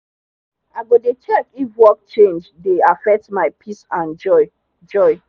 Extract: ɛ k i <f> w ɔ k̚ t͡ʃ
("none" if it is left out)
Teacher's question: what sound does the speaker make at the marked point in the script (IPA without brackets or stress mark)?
f